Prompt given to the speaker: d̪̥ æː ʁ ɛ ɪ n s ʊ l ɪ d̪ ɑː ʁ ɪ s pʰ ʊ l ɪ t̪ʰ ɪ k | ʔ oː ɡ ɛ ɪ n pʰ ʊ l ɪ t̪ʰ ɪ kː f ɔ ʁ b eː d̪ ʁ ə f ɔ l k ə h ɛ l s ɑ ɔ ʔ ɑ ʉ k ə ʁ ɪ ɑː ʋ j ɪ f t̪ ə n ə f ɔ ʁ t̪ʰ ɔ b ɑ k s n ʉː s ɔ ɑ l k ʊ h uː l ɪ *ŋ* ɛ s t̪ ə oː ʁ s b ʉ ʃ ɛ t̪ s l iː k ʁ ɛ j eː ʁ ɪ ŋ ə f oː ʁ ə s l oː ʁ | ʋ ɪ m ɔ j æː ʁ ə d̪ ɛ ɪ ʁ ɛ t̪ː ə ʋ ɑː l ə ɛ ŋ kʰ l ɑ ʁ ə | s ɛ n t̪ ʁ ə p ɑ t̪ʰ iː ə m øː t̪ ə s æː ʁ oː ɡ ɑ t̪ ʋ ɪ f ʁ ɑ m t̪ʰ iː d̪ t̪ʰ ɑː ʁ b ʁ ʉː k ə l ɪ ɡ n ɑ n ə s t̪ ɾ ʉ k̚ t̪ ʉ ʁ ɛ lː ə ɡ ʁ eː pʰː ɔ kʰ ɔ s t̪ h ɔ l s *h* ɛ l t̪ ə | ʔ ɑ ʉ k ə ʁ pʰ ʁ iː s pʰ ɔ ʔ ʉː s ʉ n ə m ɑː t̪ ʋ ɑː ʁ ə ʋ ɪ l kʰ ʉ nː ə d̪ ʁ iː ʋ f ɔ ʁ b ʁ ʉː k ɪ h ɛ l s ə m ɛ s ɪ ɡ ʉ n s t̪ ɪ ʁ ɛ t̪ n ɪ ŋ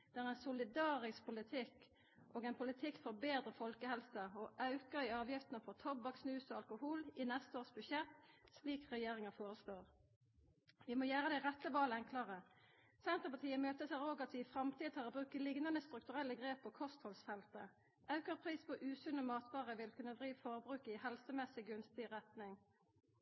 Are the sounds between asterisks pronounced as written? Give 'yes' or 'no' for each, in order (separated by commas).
no, no